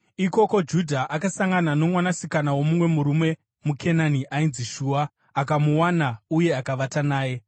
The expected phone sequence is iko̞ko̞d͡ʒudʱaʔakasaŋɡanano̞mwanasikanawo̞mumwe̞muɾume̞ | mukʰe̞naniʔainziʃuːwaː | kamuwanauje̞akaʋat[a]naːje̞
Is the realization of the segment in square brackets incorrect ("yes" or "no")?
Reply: no